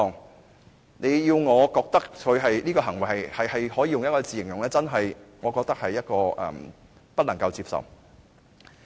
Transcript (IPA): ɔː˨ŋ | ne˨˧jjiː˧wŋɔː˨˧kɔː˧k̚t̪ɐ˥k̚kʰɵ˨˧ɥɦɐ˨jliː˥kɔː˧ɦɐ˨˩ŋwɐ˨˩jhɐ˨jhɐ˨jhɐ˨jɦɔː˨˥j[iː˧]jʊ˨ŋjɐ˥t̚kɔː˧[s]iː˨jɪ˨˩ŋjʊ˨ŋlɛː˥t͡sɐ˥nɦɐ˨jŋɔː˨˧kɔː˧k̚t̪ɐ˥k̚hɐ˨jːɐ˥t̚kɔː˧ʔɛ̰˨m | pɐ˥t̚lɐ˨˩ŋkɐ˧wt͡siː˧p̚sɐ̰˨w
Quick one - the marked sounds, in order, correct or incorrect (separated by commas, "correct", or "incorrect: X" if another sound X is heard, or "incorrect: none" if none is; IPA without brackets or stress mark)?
correct, incorrect: t͡s